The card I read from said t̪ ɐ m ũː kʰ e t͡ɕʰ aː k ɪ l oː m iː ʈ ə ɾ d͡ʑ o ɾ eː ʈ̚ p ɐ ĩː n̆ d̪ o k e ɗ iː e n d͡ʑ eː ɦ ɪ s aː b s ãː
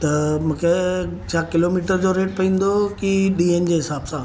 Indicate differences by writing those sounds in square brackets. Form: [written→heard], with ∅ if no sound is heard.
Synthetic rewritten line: t̪ ɐ m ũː kʰ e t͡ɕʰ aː k ɪ l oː m iː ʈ ə ɾ d͡ʑ o ɾ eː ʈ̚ p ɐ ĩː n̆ d̪ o k [e→i] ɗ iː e n d͡ʑ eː ɦ ɪ s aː b s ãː